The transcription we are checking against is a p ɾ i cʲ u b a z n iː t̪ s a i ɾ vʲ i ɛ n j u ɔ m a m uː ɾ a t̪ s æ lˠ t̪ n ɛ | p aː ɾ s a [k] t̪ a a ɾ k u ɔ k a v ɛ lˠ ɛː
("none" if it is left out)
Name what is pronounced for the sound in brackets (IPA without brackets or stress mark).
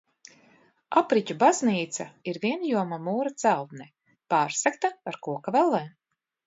k